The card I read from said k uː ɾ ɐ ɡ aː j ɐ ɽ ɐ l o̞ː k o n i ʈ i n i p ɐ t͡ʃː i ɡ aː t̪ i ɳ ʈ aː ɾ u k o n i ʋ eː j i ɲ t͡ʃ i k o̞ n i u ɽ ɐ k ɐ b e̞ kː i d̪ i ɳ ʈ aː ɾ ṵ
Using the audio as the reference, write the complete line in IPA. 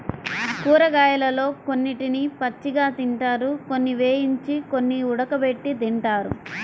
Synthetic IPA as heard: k uː ɾ ɐ ɡ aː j ɐ l ɐ l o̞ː k o nː i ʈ i n i p ɐ t͡ʃː i ɡ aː t̪ i ɳ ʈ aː ɾ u k o nː i ʋ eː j i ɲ t͡ʃ i k o̞ nː i u ɽ ɐ k ɐ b e̞ ʈː i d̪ i ɳ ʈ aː ɾ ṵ